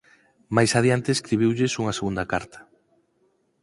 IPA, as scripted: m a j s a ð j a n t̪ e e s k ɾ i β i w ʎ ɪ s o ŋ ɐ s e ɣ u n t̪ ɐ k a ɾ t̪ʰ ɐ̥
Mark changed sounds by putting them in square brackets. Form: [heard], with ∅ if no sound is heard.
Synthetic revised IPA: m a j s a ð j a n t̪ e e s k ɾ i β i w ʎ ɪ s [u] ŋ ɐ s e ɣ u n [d̪] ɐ k a ɾ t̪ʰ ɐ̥